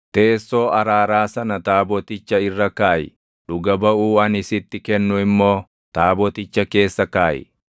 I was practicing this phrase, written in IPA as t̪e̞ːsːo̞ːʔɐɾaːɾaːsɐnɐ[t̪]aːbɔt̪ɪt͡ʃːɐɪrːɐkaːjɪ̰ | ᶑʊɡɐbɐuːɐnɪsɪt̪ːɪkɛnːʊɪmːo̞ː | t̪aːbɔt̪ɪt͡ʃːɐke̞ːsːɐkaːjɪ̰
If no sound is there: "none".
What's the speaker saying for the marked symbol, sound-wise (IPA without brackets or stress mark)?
t̪